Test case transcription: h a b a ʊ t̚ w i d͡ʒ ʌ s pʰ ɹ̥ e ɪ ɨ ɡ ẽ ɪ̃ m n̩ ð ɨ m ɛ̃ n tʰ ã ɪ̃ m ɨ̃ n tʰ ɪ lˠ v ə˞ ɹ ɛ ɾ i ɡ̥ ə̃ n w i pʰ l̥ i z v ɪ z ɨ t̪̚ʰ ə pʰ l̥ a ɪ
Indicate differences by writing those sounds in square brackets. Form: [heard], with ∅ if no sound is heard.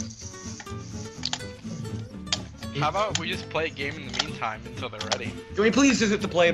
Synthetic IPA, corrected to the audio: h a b a ʊ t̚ w i d͡ʒ ʌ s pʰ [l̥] e ɪ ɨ ɡ ẽ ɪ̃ m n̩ ð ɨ m [ĩ] n tʰ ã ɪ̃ m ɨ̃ n tʰ ɪ lˠ [ð] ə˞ ɹ ɛ ɾ i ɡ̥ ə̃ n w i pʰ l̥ i z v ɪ z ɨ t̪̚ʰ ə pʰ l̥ [e] ɪ

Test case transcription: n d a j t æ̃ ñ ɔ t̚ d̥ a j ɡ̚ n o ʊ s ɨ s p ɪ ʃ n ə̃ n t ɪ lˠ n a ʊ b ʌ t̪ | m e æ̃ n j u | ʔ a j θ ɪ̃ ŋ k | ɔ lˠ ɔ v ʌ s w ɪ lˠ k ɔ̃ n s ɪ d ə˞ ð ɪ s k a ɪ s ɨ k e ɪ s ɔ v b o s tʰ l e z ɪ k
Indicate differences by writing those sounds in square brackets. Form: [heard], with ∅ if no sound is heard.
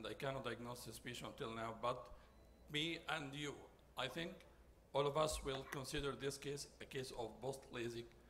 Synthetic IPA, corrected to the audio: n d a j [k] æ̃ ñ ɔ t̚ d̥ a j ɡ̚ n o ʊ s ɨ s p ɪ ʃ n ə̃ n t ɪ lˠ n a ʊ b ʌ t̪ | m [i] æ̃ n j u | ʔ a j θ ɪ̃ ŋ k | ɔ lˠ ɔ v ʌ s w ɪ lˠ k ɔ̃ n s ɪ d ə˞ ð ɪ s k [e] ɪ s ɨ k e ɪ s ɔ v b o s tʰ l e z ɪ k

